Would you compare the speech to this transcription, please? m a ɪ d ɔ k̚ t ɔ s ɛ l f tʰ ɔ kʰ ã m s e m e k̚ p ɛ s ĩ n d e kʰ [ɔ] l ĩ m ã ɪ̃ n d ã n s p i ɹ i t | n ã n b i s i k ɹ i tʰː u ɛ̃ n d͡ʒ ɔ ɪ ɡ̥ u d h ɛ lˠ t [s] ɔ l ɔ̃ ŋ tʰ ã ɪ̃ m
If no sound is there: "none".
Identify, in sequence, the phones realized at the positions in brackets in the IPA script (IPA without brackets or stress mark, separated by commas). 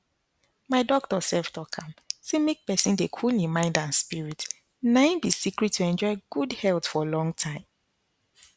u, f